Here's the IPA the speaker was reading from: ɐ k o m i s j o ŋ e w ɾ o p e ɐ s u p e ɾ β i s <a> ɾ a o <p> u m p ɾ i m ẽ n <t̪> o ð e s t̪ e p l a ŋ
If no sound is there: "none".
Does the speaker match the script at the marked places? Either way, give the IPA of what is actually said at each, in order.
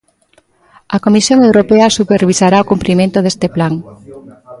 a, k, t̪

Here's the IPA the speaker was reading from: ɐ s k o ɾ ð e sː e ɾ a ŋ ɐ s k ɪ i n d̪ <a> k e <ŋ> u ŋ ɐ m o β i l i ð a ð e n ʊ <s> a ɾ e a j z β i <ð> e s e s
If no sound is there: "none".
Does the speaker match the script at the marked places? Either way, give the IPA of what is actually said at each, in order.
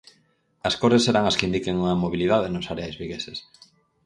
i, ŋ, s, ɣ

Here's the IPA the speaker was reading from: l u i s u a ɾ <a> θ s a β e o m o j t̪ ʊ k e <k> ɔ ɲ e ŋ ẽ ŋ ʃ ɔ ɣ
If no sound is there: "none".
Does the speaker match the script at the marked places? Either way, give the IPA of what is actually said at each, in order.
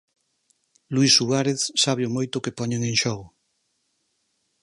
e, p

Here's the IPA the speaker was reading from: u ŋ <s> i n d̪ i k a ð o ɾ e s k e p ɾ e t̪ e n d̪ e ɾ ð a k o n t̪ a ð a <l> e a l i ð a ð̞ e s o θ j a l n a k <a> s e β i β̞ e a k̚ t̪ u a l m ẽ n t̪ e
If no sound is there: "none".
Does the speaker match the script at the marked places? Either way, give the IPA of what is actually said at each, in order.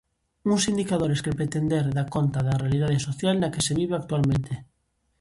s, r, e

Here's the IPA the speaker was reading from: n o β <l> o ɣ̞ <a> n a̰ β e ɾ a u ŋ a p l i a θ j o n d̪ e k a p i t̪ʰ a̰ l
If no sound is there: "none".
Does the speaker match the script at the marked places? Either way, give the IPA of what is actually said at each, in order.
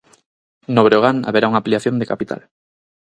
ɾ, a

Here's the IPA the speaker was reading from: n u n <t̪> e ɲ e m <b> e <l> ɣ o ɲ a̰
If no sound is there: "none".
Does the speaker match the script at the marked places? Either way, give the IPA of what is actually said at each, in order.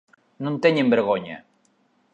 t̪, b, ɾ

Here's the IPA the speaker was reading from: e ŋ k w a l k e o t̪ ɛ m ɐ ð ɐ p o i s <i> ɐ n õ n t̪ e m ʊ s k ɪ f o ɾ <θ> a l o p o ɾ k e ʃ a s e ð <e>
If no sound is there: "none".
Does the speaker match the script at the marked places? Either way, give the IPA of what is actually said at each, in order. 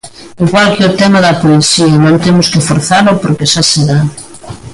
i, θ, a

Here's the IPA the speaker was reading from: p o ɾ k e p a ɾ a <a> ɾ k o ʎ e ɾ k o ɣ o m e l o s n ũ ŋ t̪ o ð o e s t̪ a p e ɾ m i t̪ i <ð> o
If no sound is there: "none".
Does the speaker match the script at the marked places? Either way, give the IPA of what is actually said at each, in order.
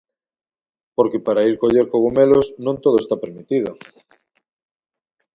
i, ð

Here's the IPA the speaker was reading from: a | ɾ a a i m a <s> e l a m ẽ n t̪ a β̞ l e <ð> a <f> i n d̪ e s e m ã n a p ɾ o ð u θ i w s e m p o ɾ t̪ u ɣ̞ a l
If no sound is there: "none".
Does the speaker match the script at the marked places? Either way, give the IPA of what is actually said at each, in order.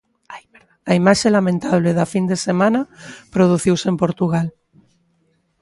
ʃ, ð, f

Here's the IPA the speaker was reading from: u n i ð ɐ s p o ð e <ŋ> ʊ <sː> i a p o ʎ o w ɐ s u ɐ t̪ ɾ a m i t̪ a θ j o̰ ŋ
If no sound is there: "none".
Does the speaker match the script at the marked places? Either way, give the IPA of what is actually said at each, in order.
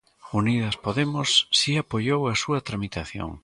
m, sː

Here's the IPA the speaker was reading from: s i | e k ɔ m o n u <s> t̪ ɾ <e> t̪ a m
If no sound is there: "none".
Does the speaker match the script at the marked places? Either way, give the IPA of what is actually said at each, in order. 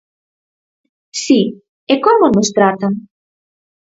s, a

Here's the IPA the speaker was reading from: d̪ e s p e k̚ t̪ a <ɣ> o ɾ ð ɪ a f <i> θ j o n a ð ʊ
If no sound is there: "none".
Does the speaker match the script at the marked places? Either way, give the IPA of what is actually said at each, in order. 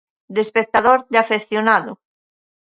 ð, e

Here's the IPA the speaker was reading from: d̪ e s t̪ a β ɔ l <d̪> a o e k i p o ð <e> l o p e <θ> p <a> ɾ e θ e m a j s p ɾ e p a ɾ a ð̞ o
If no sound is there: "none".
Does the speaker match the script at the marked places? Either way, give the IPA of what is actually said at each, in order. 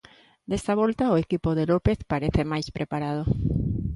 t̪, e, θ, a

